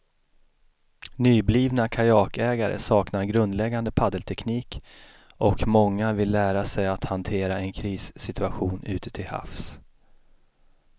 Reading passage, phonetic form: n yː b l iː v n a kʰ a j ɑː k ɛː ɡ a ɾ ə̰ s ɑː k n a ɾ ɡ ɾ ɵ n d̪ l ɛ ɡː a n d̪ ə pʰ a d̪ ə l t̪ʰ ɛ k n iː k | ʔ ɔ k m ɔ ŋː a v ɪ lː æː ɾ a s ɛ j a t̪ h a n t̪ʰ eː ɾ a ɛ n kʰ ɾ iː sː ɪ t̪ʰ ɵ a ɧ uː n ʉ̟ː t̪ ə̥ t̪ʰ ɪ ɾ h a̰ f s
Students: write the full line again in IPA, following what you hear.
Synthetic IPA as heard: n yː b l iː v n a kʰ a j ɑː k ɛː ɡ a ɾ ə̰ s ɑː k n a ɾ ɡ ɾ ɵ n d̪ l ɛ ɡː a n d̪ ə pʰ a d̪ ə l t̪ʰ ɛ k n iː k | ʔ ɔ k m ɔ ŋː a v ɪ lː æː ɾ a s ɛ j a t̪ h a n t̪ʰ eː ɾ a ɛ n kʰ ɾ iː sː ɪ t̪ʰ ɵ a ɧ uː n ʉ̟ː t̪ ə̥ t̪ʰ ɪ l h a̰ f s